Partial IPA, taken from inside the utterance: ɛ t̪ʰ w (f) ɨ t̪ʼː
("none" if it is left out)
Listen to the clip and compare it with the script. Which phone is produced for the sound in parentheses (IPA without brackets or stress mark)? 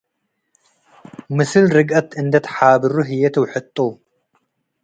ħ